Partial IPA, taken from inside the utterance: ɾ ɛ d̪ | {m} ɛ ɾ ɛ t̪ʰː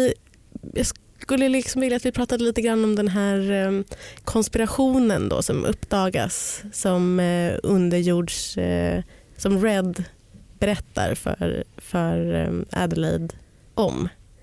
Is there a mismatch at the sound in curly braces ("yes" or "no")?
yes